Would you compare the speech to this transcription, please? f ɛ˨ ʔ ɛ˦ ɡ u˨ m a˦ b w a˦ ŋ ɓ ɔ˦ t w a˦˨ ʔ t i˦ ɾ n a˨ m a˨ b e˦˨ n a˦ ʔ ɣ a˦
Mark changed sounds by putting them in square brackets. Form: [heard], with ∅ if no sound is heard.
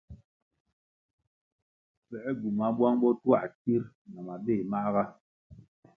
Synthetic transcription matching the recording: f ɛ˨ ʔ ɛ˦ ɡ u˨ m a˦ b w a˦ ŋ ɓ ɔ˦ t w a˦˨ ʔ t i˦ ɾ n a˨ m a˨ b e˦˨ [m] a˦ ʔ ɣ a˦